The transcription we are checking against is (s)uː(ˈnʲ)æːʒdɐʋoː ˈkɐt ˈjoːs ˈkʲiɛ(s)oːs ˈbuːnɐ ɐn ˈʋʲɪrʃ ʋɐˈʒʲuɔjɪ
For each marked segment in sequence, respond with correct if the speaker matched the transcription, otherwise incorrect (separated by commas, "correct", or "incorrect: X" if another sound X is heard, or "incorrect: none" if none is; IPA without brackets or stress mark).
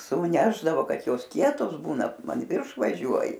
correct, correct, incorrect: t